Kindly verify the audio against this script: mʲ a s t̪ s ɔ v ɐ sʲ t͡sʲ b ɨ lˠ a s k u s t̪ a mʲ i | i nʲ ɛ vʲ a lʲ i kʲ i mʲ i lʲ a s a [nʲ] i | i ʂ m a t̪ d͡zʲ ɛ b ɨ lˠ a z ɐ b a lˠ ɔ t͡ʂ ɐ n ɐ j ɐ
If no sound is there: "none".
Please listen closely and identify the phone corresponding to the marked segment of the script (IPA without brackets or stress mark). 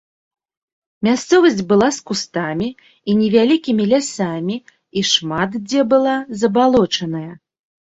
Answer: mʲ